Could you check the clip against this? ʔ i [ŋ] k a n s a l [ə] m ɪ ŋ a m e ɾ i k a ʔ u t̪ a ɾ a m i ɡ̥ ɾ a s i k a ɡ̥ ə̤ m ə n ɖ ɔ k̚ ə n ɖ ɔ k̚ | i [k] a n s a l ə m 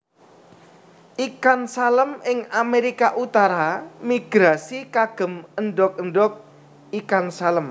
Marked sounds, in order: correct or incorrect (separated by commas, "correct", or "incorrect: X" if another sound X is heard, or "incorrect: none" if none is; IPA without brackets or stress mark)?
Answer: incorrect: none, correct, correct